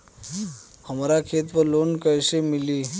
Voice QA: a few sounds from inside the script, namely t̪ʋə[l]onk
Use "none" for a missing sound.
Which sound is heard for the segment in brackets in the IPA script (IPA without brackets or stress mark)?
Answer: l